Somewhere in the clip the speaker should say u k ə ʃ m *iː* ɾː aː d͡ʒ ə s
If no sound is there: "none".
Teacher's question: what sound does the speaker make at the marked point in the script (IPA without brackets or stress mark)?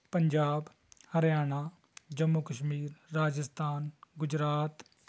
iː